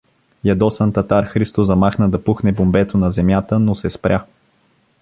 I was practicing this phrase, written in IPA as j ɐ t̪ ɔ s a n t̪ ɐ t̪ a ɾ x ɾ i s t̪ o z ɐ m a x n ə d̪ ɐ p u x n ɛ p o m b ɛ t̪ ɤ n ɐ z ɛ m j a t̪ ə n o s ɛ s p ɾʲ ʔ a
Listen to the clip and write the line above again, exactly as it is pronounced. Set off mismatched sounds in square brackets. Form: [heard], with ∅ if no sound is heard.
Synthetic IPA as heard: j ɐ [d̪] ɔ s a n t̪ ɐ t̪ a ɾ x ɾ i s t̪ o z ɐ m a x n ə d̪ ɐ p u x n ɛ [b] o m b ɛ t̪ [o] n ɐ z ɛ m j a t̪ ə n o s ɛ s p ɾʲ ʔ a